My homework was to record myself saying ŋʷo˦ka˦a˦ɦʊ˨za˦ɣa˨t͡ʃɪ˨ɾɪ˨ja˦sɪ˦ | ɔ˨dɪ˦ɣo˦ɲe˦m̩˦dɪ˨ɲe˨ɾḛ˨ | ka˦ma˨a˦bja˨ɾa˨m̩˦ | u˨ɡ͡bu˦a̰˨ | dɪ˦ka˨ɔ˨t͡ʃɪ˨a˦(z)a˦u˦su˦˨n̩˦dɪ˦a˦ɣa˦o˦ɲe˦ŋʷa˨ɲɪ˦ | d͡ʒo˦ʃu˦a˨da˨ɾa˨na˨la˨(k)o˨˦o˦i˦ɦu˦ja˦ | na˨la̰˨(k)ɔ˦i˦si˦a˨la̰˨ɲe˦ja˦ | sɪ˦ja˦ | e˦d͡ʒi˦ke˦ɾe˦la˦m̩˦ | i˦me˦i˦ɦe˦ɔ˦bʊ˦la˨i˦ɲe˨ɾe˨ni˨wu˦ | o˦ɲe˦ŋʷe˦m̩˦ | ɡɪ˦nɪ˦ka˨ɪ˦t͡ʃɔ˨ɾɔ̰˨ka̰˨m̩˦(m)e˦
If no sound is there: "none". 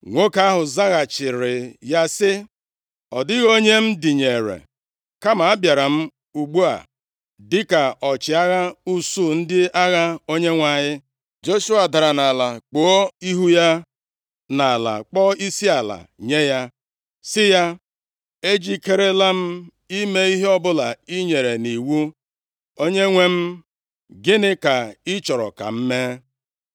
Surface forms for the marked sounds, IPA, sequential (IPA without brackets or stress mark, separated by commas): ɣ, k͡p, k͡p, m